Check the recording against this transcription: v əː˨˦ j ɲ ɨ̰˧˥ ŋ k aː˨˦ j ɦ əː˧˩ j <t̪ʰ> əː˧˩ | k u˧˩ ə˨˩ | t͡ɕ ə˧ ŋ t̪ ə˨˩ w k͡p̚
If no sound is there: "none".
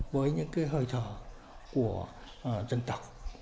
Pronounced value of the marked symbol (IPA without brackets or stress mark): t̪ʰ